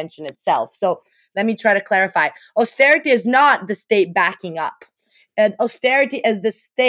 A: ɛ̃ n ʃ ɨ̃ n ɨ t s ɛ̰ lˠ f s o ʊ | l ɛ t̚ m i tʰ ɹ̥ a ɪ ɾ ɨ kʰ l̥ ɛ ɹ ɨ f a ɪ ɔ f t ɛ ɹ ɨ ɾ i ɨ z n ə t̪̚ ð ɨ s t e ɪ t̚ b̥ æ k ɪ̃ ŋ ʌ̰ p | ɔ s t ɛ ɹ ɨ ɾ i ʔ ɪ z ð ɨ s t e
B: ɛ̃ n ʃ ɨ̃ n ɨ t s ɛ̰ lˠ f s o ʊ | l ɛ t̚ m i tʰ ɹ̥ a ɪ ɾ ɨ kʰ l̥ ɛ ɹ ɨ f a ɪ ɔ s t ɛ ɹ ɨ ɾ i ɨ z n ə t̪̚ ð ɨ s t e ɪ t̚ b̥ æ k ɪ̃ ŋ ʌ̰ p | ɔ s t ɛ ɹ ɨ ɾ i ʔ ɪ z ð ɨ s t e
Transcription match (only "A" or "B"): B